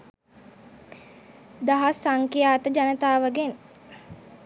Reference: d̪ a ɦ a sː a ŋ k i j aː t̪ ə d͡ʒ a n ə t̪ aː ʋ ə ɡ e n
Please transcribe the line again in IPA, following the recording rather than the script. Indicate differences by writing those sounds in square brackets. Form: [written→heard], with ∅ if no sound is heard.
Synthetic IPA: d̪ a ɦ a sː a ŋ k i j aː t̪ ə d͡ʒ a n ə t̪ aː ʋ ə ɡ e n